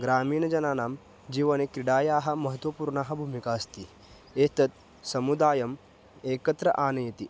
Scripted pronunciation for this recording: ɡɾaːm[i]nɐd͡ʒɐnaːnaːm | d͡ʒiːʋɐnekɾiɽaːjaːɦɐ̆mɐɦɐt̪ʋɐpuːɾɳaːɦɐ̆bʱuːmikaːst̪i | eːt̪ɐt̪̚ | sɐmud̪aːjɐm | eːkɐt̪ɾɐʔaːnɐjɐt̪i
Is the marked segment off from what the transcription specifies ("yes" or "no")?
yes